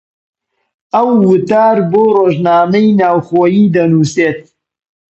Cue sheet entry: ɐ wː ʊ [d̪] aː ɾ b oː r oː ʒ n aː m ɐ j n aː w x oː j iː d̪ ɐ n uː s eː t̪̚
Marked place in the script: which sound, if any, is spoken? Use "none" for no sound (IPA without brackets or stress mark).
t̪